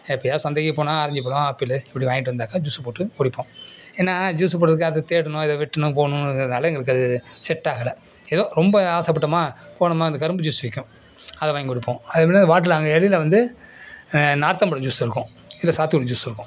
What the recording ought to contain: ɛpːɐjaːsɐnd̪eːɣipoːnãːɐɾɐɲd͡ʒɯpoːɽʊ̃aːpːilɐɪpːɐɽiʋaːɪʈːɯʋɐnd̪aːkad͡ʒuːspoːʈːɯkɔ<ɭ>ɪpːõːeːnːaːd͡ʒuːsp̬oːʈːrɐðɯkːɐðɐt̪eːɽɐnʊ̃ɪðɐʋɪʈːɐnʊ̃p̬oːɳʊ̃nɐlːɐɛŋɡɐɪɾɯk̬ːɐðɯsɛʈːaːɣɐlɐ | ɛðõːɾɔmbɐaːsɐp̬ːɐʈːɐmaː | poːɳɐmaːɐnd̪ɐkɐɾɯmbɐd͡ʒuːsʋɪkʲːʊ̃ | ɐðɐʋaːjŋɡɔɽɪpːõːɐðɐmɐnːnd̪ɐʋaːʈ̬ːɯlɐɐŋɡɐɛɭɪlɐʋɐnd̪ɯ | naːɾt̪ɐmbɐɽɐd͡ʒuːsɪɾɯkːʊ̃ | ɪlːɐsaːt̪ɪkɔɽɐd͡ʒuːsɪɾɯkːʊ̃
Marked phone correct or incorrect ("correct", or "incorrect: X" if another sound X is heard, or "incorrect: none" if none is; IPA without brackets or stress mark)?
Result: incorrect: ɽ